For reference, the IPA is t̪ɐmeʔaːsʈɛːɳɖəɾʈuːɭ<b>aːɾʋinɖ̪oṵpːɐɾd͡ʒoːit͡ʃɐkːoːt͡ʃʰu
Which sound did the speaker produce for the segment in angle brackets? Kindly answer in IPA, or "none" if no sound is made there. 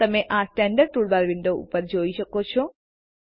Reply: b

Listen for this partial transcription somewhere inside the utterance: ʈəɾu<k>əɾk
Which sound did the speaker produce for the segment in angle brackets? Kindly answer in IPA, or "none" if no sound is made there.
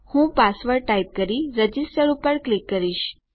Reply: p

